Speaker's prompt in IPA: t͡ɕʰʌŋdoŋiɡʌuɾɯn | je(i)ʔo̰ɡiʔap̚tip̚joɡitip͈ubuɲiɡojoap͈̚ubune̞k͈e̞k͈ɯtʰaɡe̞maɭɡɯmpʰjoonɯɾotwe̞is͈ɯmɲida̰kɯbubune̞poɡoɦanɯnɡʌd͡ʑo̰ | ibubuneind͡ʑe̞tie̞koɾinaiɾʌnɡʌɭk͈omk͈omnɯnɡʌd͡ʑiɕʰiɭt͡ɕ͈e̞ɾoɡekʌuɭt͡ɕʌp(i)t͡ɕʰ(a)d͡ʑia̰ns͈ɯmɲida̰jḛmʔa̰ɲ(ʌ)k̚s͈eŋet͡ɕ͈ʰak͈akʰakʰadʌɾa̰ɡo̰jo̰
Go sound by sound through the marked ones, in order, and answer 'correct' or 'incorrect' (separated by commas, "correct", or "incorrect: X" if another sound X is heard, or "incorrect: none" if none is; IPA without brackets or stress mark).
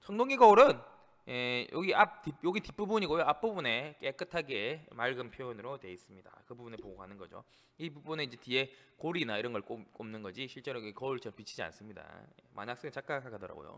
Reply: incorrect: j, correct, incorrect: i, incorrect: a